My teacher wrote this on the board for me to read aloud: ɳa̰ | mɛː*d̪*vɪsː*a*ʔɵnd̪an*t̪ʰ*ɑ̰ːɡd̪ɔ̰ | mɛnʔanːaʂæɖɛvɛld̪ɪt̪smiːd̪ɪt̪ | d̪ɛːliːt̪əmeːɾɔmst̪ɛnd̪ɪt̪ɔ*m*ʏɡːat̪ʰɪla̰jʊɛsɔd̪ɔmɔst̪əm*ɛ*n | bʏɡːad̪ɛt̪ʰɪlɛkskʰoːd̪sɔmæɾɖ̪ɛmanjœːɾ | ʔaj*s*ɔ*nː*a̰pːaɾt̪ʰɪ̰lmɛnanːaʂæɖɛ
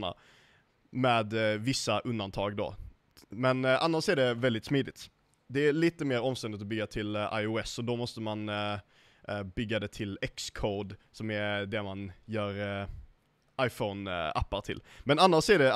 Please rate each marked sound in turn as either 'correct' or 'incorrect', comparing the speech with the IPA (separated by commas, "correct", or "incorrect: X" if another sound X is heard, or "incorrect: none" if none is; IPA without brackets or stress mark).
correct, correct, correct, incorrect: b, incorrect: a, incorrect: f, incorrect: n